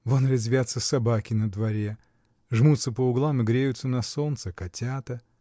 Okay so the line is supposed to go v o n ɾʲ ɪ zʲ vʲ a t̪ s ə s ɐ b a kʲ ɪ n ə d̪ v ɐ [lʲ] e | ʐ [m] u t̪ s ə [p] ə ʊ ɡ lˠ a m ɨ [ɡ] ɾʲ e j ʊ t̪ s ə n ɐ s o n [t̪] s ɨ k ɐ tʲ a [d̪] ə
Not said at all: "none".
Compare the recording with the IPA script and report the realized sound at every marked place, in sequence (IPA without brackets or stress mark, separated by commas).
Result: ɾʲ, m, p, ɡ, t̪, t̪